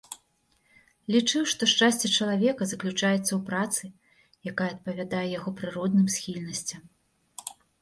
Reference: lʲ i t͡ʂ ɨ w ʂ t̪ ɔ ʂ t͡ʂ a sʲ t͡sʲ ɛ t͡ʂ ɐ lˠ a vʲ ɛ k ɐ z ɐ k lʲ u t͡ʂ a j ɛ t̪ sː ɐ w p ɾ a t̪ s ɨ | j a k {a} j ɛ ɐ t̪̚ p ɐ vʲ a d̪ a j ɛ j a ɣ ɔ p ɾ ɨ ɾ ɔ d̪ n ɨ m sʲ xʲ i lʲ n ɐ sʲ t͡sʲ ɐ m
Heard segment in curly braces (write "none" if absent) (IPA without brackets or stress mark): a